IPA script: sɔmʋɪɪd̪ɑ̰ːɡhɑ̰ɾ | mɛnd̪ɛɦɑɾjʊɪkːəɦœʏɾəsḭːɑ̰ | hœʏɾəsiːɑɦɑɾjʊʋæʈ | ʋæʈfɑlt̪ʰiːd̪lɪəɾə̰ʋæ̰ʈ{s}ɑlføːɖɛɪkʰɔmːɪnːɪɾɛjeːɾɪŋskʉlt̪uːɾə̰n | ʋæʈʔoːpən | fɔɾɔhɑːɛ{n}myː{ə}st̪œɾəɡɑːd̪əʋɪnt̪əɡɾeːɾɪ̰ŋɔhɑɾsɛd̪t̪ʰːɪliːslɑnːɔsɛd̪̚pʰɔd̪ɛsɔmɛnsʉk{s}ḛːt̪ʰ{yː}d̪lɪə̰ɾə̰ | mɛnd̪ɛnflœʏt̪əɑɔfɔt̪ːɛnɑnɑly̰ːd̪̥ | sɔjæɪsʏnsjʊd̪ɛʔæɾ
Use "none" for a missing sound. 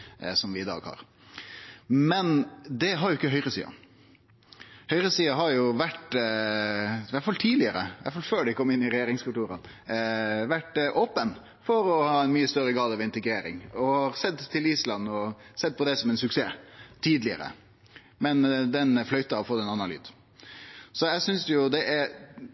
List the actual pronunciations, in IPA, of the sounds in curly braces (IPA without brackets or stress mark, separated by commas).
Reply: f, n, ə, s, iː